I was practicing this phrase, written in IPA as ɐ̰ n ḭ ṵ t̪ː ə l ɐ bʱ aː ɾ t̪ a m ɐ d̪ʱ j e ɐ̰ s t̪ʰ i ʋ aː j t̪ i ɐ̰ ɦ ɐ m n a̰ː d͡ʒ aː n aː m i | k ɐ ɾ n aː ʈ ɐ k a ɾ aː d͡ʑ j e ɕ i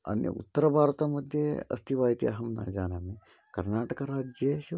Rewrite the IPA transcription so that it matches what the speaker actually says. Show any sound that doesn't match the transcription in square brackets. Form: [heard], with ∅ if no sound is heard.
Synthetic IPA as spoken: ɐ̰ n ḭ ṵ t̪ː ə [ɾ] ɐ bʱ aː ɾ t̪ a m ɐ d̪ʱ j e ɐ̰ s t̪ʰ i ʋ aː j t̪ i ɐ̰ ɦ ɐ m n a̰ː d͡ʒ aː n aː m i | k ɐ ɾ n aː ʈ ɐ k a ɾ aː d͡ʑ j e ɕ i

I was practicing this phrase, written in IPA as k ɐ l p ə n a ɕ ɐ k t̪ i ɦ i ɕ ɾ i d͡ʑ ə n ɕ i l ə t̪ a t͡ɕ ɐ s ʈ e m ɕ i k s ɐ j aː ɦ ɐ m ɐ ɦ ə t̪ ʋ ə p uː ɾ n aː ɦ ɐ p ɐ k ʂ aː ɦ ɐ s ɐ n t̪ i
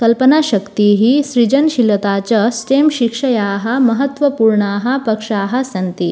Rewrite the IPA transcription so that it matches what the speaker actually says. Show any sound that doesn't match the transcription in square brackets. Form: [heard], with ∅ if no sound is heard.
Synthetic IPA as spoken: k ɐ l p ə n a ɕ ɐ k t̪ i ɦ i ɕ ɾ i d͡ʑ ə n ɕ i l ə t̪ a t͡ɕ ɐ s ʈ e m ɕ i k [ʂ] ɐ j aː ɦ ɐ m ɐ ɦ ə t̪ ʋ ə p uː ɾ [ɳ] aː ɦ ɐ p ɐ k ʂ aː ɦ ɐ s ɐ n t̪ i

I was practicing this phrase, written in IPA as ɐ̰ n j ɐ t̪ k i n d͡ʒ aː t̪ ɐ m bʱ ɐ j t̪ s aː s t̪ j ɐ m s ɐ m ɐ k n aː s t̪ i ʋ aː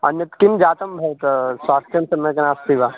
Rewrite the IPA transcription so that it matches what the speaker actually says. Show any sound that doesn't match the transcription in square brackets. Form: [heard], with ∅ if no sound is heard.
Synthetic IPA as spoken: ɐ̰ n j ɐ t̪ k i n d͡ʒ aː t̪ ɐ m bʱ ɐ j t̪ s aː s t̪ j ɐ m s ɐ m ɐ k n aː s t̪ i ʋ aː

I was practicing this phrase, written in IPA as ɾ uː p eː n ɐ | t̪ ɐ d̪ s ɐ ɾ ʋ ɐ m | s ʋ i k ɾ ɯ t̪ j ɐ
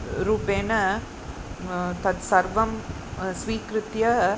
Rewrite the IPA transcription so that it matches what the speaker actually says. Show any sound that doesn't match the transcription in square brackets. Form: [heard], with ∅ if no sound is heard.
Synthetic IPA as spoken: ɾ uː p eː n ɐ | t̪ ɐ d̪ s ɐ ɾ ʋ ɐ m | s ʋ [iː] k ɾ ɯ t̪ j ɐ

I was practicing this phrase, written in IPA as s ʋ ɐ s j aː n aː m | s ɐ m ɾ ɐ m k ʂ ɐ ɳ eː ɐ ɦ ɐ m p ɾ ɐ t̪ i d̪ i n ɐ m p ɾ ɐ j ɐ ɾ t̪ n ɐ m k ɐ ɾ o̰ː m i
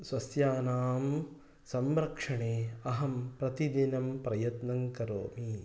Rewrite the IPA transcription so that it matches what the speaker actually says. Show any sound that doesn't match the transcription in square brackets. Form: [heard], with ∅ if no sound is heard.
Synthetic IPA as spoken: s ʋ ɐ s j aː n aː m | s ɐ m ɾ ɐ [∅] k ʂ ɐ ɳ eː ɐ ɦ ɐ m p ɾ ɐ t̪ i d̪ i n ɐ m p ɾ ɐ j ɐ [∅] t̪ n ɐ [ŋ] k ɐ ɾ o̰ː m i

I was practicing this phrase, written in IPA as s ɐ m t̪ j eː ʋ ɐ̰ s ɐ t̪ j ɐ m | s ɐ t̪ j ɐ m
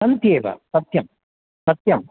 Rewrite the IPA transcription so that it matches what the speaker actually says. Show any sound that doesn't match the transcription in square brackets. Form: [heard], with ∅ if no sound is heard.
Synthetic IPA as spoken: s ɐ [n] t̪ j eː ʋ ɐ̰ s ɐ t̪ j ɐ m | s ɐ t̪ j ɐ m

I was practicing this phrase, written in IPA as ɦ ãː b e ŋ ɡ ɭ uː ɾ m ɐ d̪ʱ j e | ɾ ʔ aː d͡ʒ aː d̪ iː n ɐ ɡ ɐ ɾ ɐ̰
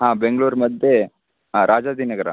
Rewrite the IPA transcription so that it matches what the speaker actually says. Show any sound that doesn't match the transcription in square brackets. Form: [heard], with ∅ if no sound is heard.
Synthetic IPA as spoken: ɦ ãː b e ŋ ɡ ɭ uː ɾ m ɐ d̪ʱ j e | ɾ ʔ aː d͡ʒ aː d̪ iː n ɐ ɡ ɐ ɾ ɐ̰

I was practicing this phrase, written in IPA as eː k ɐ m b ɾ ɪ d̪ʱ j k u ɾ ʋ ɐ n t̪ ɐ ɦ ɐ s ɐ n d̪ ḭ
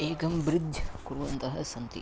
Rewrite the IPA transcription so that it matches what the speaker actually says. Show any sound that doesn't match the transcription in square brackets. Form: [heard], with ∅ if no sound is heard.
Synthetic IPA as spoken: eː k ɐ m b ɾ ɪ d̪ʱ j k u ɾ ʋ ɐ n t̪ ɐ ɦ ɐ s ɐ n [t̪] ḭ

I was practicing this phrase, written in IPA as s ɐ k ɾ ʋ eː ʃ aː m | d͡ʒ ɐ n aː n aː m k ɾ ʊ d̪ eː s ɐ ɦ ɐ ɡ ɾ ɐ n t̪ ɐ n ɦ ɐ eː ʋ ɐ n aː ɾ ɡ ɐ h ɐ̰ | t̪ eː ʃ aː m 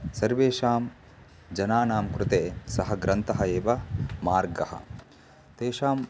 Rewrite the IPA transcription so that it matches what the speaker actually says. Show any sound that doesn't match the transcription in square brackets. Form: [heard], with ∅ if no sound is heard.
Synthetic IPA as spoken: s ɐ [∅] ɾ ʋ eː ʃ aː m | d͡ʒ ɐ n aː n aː m k ɾ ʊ [t̪] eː s ɐ ɦ ɐ ɡ ɾ ɐ n t̪ ɐ [∅] ɦ ɐ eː ʋ ɐ [m] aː ɾ ɡ ɐ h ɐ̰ | t̪ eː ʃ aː m

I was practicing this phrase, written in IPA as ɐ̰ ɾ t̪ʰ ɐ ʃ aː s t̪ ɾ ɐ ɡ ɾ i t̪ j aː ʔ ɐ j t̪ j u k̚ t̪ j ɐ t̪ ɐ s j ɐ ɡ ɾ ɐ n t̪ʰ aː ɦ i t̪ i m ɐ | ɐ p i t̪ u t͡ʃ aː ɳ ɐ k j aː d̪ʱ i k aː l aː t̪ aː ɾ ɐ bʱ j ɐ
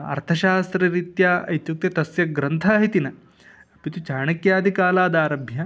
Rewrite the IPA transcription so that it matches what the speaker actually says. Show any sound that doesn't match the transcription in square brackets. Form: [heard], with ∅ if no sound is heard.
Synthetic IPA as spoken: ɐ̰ ɾ t̪ʰ ɐ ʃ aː s t̪ ɾ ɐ [∅] ɾ i t̪ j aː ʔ ɐ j t̪ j u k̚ t̪ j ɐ t̪ ɐ s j ɐ ɡ ɾ ɐ n t̪ʰ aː ɦ i t̪ i [n] ɐ | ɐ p i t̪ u t͡ʃ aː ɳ ɐ k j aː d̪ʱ i k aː l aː [d̪] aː ɾ ɐ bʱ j ɐ

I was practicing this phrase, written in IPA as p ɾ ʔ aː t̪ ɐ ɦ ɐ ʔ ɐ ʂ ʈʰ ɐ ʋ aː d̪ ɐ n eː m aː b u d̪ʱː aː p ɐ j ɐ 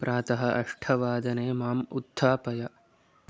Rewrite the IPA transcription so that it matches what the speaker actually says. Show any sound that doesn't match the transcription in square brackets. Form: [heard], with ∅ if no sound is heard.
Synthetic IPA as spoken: p ɾ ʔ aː t̪ ɐ ɦ ɐ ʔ ɐ ʂ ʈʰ ɐ ʋ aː d̪ ɐ n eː m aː [m] u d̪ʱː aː p ɐ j ɐ

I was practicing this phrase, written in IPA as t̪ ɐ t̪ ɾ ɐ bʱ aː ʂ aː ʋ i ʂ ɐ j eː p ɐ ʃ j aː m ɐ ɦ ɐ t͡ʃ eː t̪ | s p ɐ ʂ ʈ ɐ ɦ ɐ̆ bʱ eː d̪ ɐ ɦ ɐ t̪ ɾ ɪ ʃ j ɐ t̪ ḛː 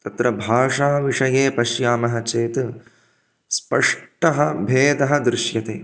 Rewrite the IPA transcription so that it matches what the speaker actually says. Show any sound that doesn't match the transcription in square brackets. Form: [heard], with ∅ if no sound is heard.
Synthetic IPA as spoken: t̪ ɐ t̪ ɾ ɐ bʱ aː ʂ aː ʋ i ʂ ɐ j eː p ɐ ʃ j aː m ɐ ɦ ɐ t͡ʃ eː t̪ | s p ɐ ʂ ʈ ɐ ɦ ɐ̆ bʱ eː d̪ ɐ ɦ ɐ [d̪] ɾ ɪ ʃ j ɐ t̪ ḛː

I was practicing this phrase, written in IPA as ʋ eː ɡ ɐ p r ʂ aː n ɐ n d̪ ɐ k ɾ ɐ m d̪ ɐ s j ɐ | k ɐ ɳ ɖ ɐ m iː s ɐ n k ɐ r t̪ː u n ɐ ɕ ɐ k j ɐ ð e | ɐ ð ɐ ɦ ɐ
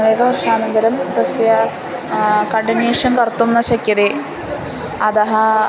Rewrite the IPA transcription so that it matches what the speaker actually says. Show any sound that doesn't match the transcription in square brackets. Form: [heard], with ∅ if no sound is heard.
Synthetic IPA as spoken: ʋ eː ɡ ɐ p r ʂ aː n ɐ n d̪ ɐ [∅] ɾ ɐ m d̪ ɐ s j ɐ | k ɐ ɳ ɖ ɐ [n] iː [ʂ] ɐ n k ɐ r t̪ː u [nː] ɐ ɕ ɐ k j ɐ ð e | ɐ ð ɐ ɦ ɐ

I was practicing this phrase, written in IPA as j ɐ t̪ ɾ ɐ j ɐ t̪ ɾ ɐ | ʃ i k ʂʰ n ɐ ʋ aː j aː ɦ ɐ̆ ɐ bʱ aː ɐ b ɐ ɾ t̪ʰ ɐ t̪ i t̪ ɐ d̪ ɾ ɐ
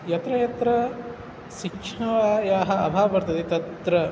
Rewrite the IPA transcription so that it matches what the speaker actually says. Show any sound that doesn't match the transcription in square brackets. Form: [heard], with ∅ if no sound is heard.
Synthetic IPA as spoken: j ɐ t̪ ɾ ɐ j ɐ t̪ ɾ ɐ | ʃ i k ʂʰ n ɐ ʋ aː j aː ɦ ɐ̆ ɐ bʱ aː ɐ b ɐ ɾ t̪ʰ ɐ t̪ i t̪ ɐ [t̪] ɾ ɐ

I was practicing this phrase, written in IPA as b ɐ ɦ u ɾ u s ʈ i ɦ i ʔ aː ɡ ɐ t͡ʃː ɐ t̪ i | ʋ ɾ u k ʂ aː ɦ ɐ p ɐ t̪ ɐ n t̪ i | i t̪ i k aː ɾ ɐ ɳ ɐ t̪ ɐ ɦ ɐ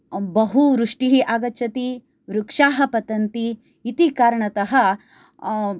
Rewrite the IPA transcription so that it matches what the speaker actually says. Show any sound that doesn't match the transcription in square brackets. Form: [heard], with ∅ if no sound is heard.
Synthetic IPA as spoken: b ɐ ɦ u ɾ u [ʂ] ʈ i ɦ i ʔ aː ɡ ɐ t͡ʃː ɐ t̪ i | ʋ ɾ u k ʂ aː ɦ ɐ p ɐ t̪ ɐ n t̪ i | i t̪ i k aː ɾ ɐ ɳ ɐ t̪ ɐ ɦ ɐ

